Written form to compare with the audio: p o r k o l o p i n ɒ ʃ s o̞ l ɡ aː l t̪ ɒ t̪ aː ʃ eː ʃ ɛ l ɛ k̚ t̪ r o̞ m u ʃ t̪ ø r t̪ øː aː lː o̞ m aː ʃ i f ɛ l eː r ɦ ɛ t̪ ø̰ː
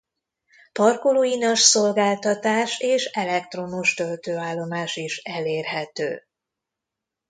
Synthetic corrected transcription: p ɒ r k o l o i n ɒ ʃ s o̞ l ɡ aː l t̪ ɒ t̪ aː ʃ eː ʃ ɛ l ɛ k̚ t̪ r o̞ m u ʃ t̪ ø l t̪ øː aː lː o̞ m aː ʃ i ʃ ɛ l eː r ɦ ɛ t̪ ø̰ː